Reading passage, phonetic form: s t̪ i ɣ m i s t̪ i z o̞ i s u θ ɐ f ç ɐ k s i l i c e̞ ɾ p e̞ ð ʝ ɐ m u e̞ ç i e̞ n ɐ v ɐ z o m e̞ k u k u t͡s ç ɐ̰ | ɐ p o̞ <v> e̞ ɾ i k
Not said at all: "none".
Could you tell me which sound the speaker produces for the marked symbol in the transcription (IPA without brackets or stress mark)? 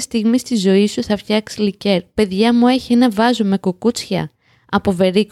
v